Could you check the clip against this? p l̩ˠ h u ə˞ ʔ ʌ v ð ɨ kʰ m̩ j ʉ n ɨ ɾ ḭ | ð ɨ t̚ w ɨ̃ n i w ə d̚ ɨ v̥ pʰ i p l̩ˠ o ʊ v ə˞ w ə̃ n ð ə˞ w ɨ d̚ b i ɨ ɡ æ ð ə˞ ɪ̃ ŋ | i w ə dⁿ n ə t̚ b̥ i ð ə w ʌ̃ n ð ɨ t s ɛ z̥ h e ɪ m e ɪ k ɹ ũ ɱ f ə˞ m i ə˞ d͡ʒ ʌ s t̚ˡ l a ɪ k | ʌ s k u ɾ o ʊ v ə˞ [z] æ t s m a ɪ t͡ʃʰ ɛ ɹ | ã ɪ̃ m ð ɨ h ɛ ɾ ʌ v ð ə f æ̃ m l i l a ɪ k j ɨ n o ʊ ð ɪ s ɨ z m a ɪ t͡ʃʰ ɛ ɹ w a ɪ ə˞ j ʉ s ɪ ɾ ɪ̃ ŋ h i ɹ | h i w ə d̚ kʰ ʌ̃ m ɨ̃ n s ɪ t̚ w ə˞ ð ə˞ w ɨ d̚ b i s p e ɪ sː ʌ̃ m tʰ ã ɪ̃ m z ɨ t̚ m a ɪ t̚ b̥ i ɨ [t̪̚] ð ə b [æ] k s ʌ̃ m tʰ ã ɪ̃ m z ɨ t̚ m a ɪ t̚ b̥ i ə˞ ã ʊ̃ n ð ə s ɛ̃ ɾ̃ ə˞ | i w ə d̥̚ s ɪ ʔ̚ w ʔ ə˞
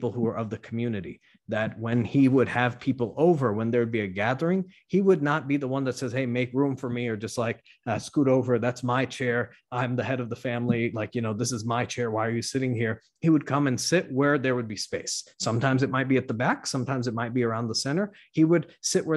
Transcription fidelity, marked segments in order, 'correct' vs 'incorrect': incorrect: ð, correct, correct

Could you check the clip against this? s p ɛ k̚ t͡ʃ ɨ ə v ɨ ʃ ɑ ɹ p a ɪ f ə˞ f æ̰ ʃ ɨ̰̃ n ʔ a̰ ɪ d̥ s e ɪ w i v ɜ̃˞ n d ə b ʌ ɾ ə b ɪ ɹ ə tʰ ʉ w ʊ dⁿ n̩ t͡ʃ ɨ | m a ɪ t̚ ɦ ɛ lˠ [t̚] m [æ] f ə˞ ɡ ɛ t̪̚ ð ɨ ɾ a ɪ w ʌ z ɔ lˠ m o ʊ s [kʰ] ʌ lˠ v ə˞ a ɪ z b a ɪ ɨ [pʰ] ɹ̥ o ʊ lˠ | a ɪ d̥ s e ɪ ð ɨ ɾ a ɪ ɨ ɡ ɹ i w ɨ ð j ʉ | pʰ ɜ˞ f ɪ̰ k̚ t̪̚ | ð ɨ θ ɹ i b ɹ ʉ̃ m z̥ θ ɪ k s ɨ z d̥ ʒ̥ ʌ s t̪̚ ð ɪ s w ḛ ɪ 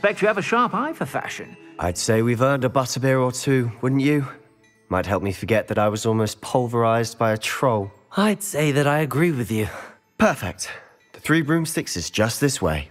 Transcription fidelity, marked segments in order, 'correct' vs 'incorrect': incorrect: p̚, incorrect: i, incorrect: pʰ, incorrect: tʰ

